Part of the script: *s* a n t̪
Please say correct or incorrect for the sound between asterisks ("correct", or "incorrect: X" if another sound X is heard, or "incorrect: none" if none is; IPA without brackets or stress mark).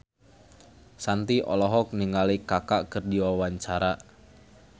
correct